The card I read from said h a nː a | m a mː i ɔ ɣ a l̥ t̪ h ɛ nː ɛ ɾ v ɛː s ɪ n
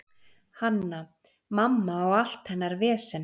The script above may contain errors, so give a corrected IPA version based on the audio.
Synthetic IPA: h a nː a | m a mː a ɔ ɣ a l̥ t̪ h ɛ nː a ɾ v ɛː s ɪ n